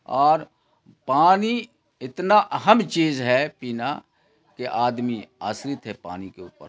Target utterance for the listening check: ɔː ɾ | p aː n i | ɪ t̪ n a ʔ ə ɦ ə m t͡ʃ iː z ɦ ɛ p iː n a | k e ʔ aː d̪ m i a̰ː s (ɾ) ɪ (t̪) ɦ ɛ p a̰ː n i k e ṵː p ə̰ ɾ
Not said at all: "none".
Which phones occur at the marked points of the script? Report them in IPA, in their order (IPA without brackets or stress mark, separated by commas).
ɾ, t̪